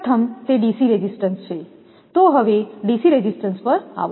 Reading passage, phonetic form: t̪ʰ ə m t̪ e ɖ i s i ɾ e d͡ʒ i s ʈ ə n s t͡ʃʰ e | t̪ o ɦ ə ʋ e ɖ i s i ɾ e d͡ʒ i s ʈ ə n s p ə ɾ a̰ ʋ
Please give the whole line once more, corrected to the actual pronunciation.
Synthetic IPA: t̪ʰ ə m t̪ e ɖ i s i ɾ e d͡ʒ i s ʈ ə n s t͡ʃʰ e | t̪ o ɦ ə ʋ e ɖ i s i ɾ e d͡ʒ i s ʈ ə n s p ə ɾ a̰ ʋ